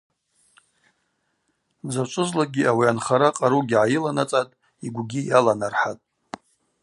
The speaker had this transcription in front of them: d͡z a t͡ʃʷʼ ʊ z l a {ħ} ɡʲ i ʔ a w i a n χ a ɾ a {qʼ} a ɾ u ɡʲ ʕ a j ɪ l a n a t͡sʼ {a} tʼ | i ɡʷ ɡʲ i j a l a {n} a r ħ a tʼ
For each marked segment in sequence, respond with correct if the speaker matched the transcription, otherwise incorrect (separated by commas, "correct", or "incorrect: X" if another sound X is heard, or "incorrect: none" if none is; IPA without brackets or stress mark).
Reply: incorrect: none, correct, correct, correct